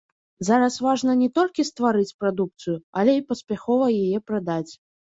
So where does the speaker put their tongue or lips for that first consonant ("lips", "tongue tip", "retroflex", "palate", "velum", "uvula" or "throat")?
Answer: tongue tip